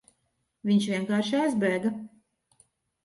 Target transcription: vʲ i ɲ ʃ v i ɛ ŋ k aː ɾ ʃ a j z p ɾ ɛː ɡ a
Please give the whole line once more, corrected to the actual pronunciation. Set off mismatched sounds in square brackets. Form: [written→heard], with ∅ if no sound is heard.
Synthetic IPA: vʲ i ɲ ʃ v i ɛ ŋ k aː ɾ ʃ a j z [p→b] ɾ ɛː ɡ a

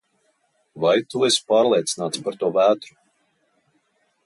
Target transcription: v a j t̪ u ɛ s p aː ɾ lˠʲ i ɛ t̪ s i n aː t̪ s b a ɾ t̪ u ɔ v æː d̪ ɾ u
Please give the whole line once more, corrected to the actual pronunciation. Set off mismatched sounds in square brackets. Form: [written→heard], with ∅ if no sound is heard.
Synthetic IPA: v a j t̪ u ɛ s p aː ɾ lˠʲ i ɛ t̪ s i n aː t̪ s [b→p] a ɾ t̪ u ɔ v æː [d̪→t̪] ɾ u

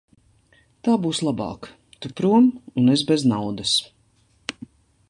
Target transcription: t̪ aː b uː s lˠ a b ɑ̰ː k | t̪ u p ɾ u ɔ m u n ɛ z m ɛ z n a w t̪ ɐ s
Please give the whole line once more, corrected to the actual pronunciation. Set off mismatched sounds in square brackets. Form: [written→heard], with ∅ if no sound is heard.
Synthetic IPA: t̪ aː b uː s lˠ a b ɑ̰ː k | t̪ u p ɾ u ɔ m u n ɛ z [m→b] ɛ z n a w [t̪→d̪] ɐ s

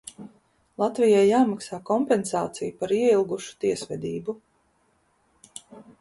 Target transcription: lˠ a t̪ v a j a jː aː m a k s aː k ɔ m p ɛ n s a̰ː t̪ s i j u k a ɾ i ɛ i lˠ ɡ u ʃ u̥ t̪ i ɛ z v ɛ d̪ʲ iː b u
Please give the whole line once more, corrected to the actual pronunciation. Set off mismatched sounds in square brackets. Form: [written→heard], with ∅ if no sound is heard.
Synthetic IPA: lˠ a t̪ v [a→i] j a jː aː m a k s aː k ɔ m p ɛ n s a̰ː t̪ s i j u [k→p] a ɾ i ɛ i lˠ ɡ u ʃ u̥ t̪ i ɛ [z→s] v ɛ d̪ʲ iː b u

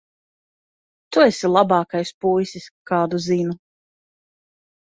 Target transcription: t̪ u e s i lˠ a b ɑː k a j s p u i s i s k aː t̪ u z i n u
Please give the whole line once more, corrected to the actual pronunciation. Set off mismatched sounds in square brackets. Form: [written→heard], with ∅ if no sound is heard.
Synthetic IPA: t̪ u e s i lˠ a b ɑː k a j s p u [i→j] s i s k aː [t̪→d̪] u z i n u

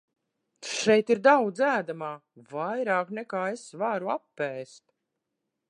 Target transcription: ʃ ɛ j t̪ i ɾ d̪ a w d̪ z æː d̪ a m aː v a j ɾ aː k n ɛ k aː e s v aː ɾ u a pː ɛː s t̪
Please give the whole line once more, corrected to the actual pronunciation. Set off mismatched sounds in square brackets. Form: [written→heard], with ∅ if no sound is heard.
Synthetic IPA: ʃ ɛ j t̪ i ɾ d̪ a w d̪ z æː d̪ a m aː v a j ɾ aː k n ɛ k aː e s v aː ɾ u a pː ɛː s t̪

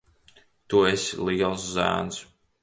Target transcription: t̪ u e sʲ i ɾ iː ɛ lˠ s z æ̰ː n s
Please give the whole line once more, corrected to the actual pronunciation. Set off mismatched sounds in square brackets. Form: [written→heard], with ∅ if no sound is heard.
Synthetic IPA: t̪ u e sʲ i [ɾ→l] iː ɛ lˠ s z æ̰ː n s

